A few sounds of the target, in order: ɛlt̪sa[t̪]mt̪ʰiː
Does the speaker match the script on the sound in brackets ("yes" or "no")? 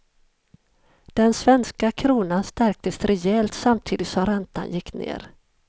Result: no